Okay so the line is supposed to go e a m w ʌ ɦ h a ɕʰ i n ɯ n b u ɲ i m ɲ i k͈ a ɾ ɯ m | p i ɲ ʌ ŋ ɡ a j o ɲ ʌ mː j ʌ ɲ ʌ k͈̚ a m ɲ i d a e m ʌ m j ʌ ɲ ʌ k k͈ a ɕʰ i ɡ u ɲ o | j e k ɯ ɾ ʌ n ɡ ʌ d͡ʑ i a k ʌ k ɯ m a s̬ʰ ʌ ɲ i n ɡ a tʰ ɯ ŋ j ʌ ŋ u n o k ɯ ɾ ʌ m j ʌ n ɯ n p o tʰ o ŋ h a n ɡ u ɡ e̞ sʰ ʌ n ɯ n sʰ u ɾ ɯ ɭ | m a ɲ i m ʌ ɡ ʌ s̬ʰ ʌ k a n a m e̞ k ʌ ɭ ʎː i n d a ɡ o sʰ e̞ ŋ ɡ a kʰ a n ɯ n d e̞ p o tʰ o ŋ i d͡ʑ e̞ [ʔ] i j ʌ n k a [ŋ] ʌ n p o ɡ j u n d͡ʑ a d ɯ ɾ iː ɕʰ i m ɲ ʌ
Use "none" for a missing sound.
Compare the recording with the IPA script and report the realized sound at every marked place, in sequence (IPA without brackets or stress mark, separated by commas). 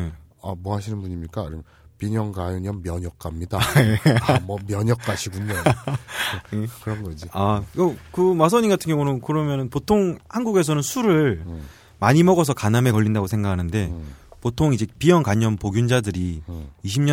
p, ɲ